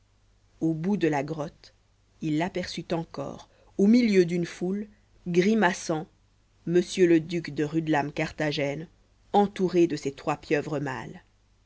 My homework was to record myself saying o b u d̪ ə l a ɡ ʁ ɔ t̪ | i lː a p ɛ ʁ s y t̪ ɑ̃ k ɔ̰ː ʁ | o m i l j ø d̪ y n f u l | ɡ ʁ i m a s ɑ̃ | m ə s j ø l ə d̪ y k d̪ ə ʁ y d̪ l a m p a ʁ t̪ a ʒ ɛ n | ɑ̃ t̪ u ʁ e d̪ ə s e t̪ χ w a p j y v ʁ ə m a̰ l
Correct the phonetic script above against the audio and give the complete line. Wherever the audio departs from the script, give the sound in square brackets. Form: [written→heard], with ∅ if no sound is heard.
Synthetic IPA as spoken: o b u d̪ ə l a ɡ ʁ ɔ t̪ | i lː a p ɛ ʁ s y t̪ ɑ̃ k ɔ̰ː ʁ | o m i l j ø d̪ y n f u l | ɡ ʁ i m a s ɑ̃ | m ə s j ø l ə d̪ y k d̪ ə ʁ y d̪ l a m [p→k] a ʁ t̪ a ʒ ɛ n | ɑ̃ t̪ u ʁ e d̪ ə s e t̪ χ w a p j [y→œ] v ʁ ə m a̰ l